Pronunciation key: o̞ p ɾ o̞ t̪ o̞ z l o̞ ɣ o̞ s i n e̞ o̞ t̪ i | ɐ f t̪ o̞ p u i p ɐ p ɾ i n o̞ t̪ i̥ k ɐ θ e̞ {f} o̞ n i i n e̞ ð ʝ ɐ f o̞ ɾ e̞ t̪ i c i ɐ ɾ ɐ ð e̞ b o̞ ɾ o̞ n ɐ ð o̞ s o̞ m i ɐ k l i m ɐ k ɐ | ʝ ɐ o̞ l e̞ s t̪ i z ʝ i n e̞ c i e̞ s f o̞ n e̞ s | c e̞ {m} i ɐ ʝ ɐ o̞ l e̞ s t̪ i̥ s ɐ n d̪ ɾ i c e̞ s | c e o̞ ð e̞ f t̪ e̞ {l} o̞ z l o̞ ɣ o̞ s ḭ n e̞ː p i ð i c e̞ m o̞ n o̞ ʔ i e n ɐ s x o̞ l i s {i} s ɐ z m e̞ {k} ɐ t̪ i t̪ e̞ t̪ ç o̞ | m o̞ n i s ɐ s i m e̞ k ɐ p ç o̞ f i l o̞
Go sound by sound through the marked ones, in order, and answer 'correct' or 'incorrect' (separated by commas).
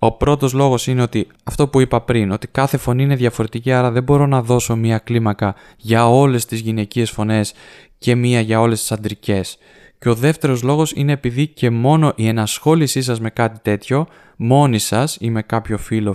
correct, correct, incorrect, correct, correct